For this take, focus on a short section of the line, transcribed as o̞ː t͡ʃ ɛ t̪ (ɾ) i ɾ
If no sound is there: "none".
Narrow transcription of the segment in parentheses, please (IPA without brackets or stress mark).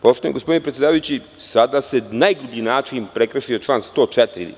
ɾ